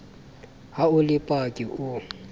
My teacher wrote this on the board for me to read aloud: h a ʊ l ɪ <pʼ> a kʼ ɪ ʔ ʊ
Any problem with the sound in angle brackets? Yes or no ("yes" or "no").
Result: no